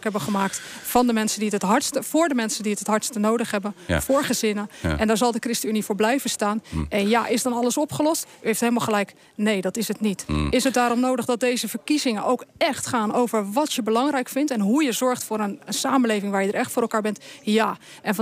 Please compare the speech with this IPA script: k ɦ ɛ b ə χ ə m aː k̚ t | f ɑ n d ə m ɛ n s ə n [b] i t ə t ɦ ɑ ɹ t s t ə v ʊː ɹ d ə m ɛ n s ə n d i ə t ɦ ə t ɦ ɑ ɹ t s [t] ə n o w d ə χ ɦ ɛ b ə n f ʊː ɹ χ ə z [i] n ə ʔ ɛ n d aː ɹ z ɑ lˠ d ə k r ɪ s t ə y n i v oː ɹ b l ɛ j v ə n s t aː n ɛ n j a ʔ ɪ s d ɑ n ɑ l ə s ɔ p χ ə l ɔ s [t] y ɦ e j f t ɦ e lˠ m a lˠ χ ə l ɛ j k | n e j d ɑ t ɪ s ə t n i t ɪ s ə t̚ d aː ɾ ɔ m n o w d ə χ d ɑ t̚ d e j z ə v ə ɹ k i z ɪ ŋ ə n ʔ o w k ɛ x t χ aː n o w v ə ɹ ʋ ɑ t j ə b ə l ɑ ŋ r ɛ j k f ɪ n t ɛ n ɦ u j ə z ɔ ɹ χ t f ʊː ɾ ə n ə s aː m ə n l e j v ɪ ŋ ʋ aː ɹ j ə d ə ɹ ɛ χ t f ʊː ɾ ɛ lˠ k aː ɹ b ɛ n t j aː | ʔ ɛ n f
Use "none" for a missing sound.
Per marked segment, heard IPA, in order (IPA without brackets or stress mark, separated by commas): d, t, ɪ, t